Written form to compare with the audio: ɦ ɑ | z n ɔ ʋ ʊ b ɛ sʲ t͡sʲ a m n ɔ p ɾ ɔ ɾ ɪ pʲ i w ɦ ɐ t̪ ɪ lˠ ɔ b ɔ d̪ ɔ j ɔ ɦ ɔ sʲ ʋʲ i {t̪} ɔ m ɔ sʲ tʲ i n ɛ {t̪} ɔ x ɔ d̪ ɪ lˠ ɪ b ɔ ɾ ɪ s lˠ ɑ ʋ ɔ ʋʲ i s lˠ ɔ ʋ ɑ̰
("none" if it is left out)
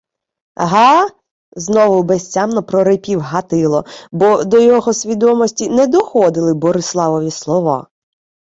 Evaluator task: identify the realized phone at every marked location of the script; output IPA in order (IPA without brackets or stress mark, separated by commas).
d̪, d̪